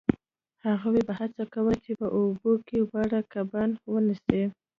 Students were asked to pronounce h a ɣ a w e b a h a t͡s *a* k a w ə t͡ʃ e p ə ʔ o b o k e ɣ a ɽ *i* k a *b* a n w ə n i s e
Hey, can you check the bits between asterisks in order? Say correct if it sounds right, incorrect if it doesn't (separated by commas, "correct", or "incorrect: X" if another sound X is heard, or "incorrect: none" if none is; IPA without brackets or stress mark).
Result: correct, incorrect: a, correct